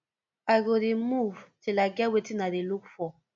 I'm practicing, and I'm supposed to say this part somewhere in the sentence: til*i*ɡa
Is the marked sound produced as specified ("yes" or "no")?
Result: no